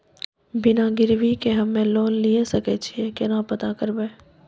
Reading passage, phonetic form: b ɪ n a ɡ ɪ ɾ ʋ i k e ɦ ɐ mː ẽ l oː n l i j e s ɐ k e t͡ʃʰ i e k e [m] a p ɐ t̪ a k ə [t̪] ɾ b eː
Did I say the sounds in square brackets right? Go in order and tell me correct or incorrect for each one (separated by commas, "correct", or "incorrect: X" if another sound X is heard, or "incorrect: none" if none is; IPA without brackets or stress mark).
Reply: incorrect: n, incorrect: none